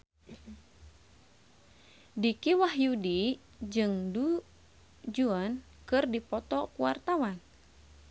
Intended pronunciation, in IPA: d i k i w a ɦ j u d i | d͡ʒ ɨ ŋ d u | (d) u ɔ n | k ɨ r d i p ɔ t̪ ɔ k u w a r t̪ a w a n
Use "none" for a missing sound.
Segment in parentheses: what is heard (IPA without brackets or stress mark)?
d͡ʒ